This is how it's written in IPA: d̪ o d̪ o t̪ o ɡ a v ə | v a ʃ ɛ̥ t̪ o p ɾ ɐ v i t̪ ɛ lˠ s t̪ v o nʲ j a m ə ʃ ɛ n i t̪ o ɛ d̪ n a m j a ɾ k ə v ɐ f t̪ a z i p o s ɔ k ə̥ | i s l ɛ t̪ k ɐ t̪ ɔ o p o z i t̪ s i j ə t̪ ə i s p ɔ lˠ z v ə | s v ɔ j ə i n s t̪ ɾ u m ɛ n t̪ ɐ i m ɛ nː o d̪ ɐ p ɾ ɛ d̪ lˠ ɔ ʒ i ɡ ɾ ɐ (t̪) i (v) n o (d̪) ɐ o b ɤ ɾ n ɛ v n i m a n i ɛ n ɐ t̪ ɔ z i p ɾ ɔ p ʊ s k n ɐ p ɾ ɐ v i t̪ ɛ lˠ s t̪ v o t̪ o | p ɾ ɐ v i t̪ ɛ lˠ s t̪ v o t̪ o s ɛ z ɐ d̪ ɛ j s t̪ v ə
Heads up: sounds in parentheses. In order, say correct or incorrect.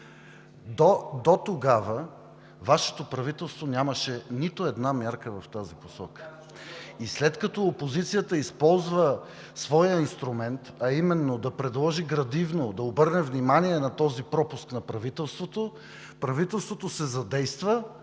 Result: incorrect: d̪, correct, correct

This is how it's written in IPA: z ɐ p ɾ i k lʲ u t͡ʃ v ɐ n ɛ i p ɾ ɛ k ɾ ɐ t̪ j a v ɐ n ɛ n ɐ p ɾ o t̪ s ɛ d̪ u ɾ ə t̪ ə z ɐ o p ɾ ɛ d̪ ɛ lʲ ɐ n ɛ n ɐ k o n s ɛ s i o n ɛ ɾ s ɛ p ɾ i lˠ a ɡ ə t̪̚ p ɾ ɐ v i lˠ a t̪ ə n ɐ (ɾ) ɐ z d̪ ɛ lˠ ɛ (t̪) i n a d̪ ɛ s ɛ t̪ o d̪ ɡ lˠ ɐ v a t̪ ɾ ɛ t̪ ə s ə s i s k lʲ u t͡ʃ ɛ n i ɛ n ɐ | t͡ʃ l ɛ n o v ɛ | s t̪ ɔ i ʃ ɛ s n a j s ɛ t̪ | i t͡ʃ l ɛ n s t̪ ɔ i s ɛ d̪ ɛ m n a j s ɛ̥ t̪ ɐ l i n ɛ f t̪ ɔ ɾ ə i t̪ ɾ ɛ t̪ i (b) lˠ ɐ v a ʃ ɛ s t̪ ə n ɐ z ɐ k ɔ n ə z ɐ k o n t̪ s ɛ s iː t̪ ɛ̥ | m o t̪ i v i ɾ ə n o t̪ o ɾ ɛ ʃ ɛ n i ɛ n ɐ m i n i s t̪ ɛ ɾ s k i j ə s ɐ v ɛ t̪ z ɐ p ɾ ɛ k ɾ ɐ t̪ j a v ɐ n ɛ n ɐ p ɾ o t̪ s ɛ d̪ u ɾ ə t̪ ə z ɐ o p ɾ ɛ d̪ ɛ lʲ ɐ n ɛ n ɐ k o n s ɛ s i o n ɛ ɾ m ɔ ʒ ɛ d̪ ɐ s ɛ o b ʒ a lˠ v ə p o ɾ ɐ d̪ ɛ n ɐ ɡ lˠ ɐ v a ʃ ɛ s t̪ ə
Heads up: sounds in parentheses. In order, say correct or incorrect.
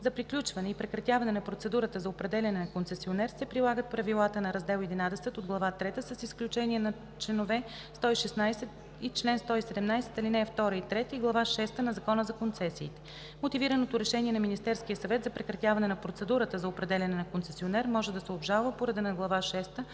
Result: correct, incorrect: d̪, incorrect: ɡ

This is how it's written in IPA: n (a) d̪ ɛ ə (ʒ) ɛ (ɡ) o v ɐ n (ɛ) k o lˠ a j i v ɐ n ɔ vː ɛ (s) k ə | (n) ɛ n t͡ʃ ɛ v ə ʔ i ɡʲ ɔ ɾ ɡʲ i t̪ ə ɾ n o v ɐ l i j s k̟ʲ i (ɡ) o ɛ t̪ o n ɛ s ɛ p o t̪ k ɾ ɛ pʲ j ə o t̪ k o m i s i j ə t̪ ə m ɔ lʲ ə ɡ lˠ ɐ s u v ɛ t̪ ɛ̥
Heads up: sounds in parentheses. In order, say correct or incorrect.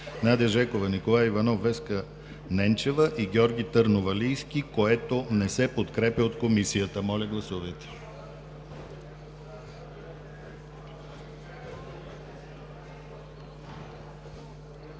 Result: correct, correct, incorrect: k, incorrect: i, correct, correct, incorrect: k

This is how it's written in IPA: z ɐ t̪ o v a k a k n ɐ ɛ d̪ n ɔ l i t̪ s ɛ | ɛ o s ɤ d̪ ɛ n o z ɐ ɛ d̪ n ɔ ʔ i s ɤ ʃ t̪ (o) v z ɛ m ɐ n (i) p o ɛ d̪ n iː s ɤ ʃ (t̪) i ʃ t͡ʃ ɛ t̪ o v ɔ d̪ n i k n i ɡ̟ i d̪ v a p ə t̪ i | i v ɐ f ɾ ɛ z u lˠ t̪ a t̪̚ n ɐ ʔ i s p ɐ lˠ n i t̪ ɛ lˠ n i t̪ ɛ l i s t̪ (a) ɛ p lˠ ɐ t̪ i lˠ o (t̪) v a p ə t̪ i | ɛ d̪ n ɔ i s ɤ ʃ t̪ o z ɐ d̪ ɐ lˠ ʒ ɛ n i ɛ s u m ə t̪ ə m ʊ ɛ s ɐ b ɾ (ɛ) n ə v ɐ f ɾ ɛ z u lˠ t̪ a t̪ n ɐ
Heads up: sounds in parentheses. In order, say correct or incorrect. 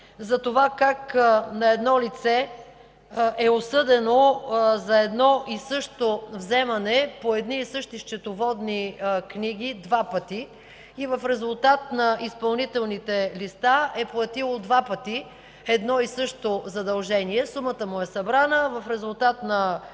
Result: correct, incorrect: ɛ, correct, correct, incorrect: d̪, incorrect: a

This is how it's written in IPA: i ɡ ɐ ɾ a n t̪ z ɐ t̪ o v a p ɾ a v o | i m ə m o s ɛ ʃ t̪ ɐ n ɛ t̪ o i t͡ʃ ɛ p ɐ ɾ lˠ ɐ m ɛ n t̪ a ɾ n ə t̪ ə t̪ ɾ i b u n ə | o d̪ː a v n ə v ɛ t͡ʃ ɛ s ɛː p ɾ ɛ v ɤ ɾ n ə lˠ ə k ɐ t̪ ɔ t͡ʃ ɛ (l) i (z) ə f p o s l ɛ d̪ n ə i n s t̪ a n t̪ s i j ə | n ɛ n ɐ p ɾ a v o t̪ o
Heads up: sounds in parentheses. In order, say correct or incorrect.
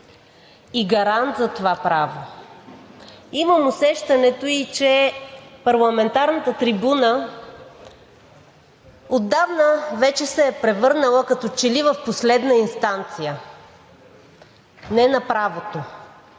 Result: correct, incorrect: v

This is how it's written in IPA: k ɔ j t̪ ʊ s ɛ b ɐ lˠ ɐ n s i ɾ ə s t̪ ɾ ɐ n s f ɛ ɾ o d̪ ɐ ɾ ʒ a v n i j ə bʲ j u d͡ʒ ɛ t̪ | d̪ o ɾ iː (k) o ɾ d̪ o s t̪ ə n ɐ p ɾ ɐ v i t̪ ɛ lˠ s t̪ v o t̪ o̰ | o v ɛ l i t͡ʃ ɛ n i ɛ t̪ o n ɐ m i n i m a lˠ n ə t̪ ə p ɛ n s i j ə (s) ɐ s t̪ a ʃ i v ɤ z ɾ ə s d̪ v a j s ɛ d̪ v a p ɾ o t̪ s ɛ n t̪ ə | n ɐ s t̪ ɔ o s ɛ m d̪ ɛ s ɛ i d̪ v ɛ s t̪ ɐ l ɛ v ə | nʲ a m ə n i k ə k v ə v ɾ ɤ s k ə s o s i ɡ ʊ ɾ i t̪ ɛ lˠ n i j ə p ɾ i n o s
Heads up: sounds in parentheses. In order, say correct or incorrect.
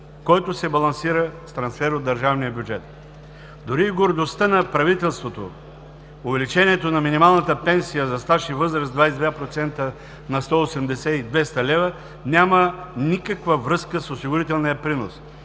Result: incorrect: ɡ, incorrect: z

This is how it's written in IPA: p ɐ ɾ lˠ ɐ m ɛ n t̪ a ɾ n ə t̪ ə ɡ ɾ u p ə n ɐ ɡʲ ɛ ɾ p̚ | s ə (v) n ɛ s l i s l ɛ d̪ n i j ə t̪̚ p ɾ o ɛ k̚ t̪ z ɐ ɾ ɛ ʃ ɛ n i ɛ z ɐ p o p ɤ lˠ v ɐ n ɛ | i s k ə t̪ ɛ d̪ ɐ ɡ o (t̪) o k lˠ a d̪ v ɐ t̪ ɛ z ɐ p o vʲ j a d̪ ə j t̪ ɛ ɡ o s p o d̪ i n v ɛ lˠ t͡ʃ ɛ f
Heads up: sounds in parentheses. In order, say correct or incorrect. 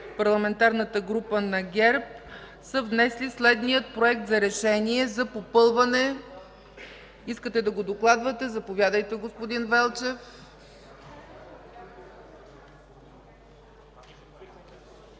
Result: correct, incorrect: d̪

